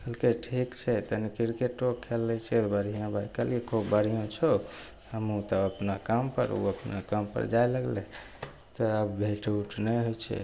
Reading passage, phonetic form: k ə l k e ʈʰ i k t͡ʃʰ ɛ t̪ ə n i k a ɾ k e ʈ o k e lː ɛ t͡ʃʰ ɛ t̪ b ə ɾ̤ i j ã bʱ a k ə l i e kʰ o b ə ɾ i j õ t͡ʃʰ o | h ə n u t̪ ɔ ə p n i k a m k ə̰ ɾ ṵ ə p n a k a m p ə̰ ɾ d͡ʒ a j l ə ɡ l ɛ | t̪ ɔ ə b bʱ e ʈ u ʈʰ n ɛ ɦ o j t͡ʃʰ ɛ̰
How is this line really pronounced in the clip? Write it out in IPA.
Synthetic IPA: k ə l k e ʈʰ i k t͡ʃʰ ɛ t̪ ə n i k i ɾ k e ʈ o kʰ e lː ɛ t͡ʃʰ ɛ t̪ b ə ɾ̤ i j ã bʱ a k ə l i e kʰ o b ə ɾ i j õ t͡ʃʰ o | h ə m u t̪ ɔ ə p n a k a m p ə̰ ɾ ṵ ə p n a k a m p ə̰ ɾ d͡ʒ a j l ə ɡ l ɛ | t̪ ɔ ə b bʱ e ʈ u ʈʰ n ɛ ɦ o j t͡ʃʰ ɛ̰